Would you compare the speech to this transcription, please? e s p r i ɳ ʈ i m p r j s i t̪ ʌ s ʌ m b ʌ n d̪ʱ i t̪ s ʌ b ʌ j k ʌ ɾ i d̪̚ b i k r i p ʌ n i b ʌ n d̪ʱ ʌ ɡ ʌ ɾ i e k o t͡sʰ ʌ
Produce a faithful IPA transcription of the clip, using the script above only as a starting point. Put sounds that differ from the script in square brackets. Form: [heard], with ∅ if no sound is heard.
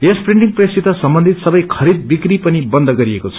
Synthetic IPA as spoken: e s p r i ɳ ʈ i [ŋ] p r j s i t̪ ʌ s ʌ m b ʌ n d̪ʱ i t̪ s ʌ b ʌ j [kʰ] ʌ ɾ i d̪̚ b i k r i p ʌ n i b ʌ n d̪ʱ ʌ ɡ ʌ ɾ i e k o t͡sʰ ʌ